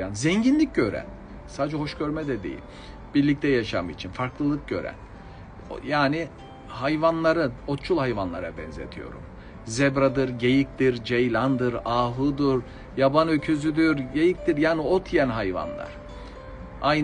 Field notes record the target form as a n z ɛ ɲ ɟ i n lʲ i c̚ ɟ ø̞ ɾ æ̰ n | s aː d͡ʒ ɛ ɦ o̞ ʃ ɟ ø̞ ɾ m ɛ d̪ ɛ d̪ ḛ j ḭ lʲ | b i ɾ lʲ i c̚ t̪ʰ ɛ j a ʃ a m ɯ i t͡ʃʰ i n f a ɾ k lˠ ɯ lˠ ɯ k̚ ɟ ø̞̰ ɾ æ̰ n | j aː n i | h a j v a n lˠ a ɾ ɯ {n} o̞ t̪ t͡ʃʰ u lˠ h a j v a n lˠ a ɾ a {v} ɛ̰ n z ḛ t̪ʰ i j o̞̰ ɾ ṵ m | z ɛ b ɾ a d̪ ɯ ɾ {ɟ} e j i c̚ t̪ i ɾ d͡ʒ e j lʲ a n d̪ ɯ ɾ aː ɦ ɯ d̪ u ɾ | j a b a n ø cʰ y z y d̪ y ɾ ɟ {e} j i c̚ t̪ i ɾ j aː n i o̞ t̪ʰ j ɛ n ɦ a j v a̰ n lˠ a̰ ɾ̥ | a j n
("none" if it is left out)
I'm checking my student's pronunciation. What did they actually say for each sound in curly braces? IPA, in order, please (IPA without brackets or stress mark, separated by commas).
n, b, ɟ, e